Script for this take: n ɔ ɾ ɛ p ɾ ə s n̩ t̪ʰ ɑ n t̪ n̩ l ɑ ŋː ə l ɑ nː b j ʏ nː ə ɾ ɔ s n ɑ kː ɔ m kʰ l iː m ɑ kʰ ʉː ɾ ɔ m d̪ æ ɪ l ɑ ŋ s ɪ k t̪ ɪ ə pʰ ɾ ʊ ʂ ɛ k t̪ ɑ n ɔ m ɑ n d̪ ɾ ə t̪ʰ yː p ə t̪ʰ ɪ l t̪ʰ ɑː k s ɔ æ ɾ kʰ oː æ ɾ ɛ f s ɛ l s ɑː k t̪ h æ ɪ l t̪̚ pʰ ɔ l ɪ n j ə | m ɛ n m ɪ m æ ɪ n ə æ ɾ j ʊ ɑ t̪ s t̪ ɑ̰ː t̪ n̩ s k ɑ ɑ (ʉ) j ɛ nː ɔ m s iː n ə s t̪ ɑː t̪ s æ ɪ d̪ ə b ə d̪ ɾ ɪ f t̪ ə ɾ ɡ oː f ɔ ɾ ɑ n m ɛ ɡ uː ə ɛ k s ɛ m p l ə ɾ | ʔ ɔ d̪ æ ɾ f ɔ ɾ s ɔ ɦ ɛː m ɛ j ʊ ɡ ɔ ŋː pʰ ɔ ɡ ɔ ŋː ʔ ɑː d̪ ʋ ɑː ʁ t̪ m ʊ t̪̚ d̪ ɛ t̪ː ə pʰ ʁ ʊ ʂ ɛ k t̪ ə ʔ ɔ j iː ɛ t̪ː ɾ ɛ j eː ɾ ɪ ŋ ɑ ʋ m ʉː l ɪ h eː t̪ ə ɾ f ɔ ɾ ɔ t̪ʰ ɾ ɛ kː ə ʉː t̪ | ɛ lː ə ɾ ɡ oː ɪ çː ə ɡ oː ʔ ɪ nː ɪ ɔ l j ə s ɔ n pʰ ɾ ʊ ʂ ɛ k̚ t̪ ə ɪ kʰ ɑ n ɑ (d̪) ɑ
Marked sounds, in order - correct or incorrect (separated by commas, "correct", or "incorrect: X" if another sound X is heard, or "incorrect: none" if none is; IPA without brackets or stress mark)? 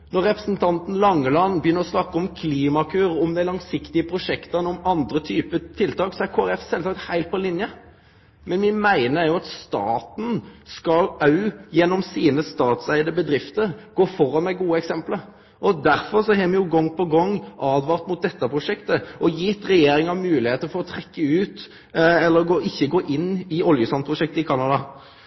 correct, correct